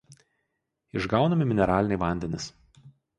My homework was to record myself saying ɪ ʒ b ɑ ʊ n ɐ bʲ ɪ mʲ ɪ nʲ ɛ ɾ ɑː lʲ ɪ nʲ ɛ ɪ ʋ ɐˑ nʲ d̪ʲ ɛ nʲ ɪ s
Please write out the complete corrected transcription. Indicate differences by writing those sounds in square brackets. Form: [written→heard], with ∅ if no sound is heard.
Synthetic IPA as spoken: ɪ ʒ [b→ɡ] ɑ ʊ n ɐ [bʲ→mʲ] ɪ mʲ ɪ nʲ ɛ ɾ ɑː lʲ ɪ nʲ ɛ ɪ ʋ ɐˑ nʲ d̪ʲ ɛ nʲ ɪ s